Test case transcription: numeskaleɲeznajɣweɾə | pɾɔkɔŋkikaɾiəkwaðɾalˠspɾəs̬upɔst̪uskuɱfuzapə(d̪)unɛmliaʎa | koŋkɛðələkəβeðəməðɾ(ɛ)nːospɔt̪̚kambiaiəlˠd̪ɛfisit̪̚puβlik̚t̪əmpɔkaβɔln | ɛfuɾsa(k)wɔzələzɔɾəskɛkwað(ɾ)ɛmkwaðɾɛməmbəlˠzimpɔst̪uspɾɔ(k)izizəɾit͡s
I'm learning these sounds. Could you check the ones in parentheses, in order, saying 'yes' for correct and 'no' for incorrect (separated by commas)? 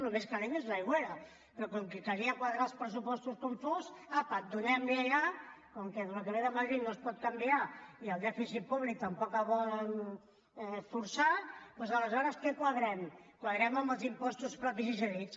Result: yes, no, no, yes, no